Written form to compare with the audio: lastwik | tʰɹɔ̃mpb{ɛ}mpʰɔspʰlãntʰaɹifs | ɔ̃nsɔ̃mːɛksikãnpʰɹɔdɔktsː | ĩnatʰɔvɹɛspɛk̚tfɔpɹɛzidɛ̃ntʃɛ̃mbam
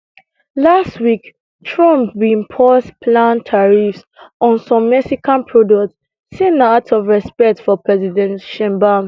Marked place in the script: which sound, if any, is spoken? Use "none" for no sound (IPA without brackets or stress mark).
i